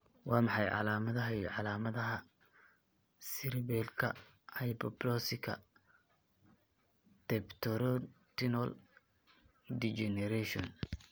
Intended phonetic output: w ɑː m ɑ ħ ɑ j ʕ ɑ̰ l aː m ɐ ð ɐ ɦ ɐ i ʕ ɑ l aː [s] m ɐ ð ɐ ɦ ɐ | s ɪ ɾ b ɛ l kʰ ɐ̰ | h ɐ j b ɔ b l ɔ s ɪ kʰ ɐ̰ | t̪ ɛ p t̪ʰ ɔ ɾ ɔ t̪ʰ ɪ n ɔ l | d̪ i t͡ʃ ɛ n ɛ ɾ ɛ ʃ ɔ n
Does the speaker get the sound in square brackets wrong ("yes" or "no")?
yes